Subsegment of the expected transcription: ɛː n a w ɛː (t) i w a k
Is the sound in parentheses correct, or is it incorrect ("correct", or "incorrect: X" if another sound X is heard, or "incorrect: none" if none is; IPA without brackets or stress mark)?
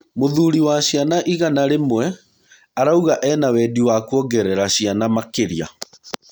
incorrect: d